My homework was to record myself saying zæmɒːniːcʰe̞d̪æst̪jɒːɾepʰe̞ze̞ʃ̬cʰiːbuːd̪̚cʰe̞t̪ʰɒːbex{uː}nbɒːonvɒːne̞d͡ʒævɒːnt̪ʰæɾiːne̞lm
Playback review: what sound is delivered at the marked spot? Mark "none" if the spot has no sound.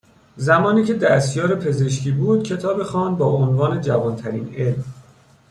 ɒː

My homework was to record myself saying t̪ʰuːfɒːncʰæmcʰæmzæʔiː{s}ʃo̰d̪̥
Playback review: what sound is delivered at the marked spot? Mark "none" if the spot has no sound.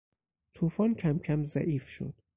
f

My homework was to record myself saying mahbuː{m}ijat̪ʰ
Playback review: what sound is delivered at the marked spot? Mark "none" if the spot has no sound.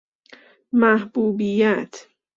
b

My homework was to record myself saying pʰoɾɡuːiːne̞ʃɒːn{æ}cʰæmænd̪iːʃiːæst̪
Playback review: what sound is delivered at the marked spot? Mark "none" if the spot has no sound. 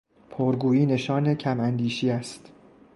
e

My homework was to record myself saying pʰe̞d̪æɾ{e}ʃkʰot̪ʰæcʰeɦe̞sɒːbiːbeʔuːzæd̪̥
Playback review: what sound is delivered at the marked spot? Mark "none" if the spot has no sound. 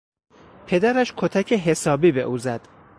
æ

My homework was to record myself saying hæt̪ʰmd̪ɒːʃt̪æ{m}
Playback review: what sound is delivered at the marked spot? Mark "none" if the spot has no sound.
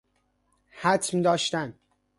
n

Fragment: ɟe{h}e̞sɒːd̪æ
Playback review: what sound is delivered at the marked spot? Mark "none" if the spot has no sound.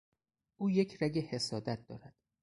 h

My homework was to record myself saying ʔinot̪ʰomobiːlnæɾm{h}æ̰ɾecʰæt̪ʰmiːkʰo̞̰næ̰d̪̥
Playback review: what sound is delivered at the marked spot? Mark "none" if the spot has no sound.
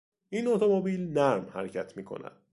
h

